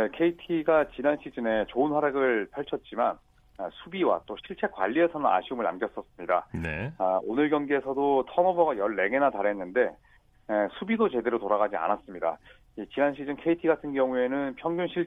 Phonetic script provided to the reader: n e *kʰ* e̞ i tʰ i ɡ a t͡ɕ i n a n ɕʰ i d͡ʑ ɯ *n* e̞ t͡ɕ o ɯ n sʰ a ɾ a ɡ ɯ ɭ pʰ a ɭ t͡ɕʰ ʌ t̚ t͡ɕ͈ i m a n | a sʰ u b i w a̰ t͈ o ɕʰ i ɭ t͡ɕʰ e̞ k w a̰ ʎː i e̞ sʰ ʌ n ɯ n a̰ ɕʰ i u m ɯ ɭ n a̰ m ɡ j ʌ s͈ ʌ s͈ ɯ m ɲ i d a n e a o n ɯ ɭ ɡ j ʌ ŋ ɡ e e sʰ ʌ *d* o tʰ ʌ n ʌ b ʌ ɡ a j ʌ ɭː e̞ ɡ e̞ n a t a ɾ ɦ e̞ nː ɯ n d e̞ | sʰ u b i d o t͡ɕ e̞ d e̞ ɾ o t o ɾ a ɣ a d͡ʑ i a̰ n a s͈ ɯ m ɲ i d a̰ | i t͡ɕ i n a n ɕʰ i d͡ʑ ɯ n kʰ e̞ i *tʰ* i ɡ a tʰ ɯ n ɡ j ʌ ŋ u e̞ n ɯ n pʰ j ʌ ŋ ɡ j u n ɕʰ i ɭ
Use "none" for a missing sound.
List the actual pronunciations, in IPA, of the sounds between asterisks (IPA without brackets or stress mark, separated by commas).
kʰ, n, d, tʰ